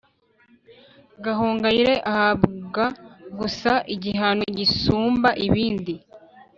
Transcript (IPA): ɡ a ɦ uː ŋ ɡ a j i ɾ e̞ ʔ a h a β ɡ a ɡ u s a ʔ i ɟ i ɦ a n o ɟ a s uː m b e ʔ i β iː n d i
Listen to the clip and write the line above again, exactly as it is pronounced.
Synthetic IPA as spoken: ɡ a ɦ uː ŋ ɡ a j i ɾ e̞ ʔ a h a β ɡ a ɡ u s a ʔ i ɟ i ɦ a n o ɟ i s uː m b a ʔ i β iː n d i